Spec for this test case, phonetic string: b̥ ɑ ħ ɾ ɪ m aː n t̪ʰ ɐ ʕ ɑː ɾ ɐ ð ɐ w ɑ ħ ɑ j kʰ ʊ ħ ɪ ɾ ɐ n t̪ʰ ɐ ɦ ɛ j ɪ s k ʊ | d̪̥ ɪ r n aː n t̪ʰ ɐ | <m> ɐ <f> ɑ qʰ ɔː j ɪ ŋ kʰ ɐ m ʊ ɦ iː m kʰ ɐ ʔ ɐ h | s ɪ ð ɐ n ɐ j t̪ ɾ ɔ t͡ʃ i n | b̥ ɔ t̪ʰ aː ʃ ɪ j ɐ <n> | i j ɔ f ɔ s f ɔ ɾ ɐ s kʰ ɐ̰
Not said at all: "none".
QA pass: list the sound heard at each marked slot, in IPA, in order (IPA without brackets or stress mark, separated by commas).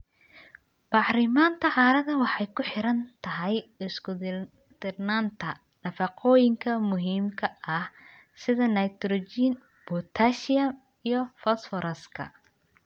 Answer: n, f, m